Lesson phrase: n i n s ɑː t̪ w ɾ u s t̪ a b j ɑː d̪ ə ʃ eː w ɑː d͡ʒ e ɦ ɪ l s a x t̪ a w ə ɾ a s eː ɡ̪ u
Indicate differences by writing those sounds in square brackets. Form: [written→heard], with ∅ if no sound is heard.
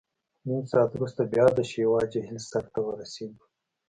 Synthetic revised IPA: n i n s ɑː t̪ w ɾ u s t̪ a b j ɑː d̪ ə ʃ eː w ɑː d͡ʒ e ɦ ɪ l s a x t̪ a w ə ɾ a s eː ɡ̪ u